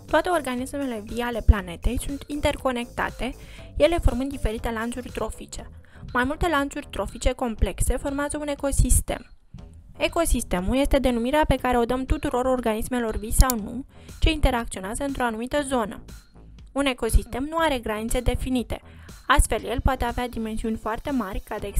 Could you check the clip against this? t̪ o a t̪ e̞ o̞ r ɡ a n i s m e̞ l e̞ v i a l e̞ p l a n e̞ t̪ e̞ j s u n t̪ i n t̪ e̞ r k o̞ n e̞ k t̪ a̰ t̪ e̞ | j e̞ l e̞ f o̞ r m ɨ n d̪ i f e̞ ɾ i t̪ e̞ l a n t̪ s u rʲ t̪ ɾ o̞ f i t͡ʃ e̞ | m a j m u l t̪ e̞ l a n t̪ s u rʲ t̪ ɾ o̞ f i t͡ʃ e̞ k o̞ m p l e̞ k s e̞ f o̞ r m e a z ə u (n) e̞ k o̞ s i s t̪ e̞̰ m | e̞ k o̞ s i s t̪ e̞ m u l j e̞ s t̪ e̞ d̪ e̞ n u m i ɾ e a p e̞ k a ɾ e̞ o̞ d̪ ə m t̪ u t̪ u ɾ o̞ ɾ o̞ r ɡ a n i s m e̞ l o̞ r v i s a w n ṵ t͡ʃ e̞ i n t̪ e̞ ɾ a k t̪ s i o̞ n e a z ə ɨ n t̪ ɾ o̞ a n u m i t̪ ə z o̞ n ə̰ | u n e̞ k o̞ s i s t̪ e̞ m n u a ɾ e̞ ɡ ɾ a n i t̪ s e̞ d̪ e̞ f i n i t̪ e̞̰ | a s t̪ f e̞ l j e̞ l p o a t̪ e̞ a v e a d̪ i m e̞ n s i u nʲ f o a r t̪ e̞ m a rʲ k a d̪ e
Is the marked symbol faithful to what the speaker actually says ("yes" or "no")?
yes